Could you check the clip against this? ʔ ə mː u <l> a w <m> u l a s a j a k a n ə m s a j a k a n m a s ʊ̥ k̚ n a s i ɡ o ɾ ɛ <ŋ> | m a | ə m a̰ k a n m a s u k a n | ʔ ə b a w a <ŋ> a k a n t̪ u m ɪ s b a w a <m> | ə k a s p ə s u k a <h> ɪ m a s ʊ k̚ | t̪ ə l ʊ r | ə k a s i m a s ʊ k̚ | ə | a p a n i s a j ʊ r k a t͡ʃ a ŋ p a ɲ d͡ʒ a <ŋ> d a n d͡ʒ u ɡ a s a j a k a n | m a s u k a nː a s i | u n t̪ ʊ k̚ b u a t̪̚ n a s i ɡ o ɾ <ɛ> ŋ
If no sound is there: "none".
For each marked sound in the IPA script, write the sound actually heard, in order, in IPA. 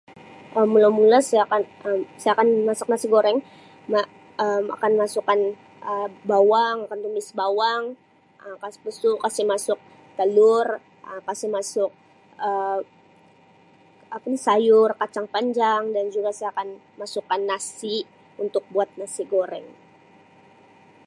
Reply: l, m, ŋ, ŋ, ŋ, s, ŋ, ɛ

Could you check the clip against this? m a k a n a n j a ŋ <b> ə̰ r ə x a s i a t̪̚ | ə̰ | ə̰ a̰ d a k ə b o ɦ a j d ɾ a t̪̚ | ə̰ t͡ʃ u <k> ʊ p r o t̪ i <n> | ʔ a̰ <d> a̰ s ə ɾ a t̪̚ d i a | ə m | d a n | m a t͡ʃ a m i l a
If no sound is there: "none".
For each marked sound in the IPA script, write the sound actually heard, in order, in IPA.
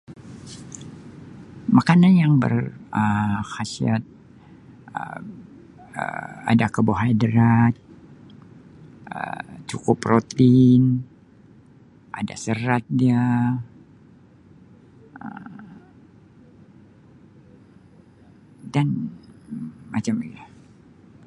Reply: b, k, n, d

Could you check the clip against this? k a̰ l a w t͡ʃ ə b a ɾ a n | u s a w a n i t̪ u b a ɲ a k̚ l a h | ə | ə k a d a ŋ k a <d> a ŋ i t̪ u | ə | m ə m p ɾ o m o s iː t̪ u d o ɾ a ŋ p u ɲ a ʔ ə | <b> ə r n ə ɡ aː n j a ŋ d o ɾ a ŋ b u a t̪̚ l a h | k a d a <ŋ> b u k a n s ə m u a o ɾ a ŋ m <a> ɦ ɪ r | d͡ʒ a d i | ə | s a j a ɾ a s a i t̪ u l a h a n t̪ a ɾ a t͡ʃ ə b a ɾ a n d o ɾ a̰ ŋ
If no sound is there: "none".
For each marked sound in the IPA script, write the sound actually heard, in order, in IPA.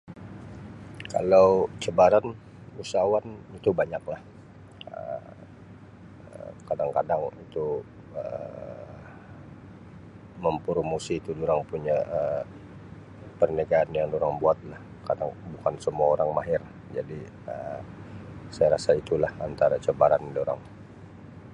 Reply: d, p, ŋ, a

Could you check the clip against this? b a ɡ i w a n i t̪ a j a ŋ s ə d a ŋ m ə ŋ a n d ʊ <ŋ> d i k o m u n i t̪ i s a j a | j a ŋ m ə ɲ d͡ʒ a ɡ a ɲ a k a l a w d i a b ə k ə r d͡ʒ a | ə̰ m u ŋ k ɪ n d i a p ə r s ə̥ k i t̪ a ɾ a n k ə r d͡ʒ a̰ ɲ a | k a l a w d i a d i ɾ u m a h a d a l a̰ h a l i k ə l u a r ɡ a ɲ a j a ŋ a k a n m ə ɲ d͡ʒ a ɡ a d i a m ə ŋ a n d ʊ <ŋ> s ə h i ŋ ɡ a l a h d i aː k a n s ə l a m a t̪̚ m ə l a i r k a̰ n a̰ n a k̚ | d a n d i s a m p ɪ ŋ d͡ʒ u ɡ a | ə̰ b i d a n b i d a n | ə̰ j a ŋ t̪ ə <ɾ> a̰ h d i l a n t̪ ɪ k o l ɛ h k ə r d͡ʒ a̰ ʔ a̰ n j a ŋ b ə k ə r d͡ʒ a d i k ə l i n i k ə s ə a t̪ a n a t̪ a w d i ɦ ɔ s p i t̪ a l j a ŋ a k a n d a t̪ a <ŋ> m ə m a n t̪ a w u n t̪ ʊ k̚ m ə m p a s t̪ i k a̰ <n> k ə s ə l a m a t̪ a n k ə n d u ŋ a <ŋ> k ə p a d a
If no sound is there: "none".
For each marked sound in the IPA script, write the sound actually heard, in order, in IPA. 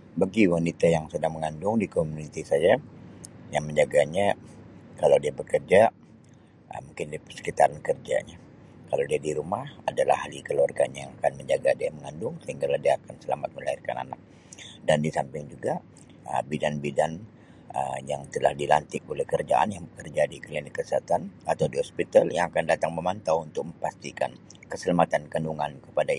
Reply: ŋ, ŋ, l, ŋ, n, n

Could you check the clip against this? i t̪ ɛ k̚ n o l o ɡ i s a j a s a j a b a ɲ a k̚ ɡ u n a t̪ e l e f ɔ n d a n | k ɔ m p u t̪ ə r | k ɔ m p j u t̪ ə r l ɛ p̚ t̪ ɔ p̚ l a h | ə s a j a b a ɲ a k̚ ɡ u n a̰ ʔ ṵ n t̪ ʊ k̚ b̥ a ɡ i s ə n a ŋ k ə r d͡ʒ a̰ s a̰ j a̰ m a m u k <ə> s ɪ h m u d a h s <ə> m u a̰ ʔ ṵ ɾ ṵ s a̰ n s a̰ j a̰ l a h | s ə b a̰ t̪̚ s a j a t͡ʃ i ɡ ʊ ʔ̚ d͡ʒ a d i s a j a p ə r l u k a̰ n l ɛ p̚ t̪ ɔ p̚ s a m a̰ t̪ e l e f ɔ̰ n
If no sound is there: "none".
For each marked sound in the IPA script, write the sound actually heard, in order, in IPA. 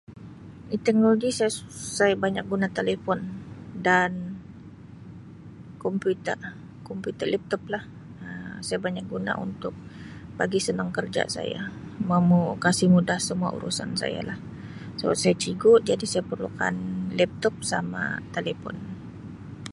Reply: a, ə

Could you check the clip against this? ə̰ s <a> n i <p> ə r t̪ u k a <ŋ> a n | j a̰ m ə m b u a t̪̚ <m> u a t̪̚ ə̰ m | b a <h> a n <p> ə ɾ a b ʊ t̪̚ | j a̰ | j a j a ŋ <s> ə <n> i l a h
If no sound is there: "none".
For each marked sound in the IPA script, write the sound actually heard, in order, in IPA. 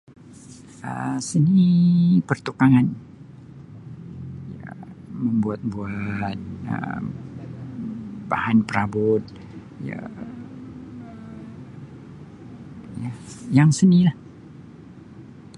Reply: ə, p, ŋ, b, h, p, s, n

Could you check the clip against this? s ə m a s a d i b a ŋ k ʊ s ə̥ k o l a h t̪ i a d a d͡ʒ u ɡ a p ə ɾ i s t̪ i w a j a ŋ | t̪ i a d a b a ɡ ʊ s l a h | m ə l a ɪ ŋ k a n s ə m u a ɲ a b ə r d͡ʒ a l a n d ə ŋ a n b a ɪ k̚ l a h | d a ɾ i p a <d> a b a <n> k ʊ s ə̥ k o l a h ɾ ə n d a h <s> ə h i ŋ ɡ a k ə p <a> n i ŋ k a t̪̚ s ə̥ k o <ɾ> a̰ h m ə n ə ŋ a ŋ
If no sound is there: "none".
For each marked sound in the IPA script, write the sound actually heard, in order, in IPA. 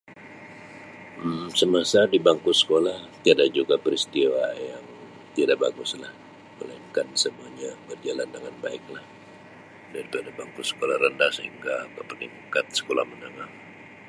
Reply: d, ŋ, s, ə, l

